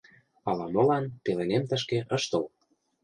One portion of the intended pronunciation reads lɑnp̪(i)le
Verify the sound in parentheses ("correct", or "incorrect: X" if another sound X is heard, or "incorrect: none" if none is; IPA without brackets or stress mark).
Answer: incorrect: e